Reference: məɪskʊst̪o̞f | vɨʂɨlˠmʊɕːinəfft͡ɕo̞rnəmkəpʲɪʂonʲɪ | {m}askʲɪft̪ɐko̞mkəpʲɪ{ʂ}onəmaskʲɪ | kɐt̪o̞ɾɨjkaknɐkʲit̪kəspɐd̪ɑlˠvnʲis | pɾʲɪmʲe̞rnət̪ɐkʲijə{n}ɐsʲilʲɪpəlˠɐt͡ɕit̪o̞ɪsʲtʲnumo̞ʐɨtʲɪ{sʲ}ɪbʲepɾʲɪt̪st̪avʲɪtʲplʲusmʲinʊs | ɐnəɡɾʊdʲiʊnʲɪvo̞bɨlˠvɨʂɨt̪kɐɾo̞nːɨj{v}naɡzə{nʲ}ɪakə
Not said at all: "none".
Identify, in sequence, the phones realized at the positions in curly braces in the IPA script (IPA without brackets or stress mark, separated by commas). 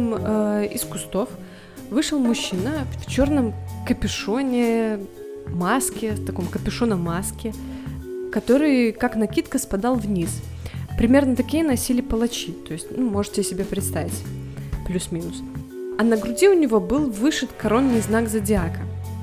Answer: m, ʂ, n, sʲ, z, dʲ